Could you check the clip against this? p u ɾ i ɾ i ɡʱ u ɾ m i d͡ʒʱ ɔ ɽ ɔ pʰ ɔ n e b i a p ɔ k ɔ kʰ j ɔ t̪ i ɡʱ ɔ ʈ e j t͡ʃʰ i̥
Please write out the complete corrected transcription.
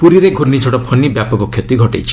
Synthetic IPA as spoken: p u ɾ i ɾ e ɡʱ u ɾ n i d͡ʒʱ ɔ ɽ ɔ pʰ ɔ n i b j a p ɔ k ɔ kʰ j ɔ t̪ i ɡʱ ɔ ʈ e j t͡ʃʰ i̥